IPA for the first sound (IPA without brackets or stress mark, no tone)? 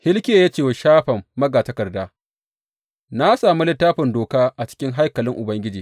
h